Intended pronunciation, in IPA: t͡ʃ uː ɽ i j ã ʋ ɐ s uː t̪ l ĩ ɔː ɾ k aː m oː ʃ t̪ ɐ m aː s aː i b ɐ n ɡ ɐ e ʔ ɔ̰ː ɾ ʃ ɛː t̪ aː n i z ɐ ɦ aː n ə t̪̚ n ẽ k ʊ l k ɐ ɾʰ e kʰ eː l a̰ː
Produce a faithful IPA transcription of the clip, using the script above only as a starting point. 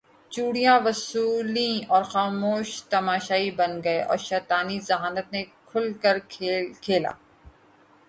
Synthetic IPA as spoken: t͡ʃ uː ɽ i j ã ʋ ɐ s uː l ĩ ɔː ɾ x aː m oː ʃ t̪ ɐ m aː ʃ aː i b ɐ n ɡ ɐ e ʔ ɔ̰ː ɾ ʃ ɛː t̪ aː n i z ɐ ɦ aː n ə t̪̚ n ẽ kʰ ʊ l k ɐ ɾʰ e kʰ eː l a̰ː